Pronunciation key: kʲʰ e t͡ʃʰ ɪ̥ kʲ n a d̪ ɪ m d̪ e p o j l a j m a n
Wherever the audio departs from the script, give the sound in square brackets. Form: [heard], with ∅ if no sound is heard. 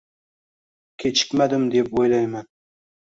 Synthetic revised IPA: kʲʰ e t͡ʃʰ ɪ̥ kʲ [m] a d̪ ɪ m d̪ e p o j l a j m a n